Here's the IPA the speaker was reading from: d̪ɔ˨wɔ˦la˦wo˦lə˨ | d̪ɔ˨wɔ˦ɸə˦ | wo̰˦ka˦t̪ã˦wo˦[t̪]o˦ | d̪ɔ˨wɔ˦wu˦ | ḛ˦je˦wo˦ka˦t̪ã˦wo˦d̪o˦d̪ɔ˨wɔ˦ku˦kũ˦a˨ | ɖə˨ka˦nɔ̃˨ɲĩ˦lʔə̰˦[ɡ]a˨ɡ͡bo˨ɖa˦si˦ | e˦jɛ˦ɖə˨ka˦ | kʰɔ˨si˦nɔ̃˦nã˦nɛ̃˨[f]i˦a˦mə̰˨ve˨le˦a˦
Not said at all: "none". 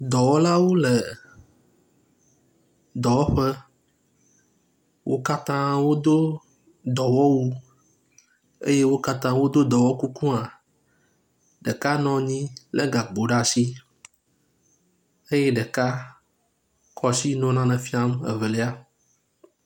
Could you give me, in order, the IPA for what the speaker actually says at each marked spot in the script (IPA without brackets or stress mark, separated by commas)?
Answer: d̪, ɡ, f